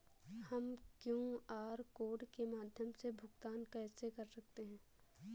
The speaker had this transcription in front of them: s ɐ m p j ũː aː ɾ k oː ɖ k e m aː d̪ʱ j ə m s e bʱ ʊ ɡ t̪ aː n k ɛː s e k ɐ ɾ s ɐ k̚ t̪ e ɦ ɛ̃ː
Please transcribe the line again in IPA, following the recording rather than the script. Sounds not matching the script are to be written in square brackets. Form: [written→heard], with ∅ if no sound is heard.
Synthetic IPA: [s→h] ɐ m [p→k] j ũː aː ɾ k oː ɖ k e m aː d̪ʱ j ə m s e bʱ ʊ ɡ t̪ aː n k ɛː s e k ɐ ɾ s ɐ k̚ t̪ e ɦ ɛ̃ː